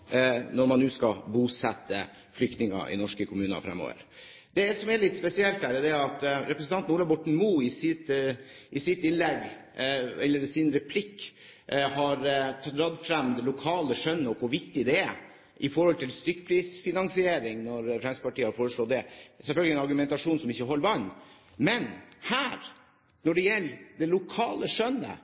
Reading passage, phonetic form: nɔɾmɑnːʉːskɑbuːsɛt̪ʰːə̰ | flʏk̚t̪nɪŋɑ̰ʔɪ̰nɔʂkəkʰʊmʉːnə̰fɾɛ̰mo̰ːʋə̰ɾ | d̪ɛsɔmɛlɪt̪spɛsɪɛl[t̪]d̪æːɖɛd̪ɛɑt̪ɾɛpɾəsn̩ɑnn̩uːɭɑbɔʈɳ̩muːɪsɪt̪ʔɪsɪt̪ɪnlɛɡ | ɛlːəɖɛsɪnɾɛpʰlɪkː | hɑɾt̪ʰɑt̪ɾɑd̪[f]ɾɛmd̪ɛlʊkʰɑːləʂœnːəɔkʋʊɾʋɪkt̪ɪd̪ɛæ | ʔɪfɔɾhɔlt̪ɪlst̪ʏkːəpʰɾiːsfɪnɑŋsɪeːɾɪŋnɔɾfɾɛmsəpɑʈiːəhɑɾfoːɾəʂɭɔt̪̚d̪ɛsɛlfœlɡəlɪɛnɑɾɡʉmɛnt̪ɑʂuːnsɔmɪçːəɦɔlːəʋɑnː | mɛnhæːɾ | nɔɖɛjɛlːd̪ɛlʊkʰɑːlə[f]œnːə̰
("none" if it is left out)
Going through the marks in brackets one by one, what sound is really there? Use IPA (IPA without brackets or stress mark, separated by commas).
t̪, f, ʂ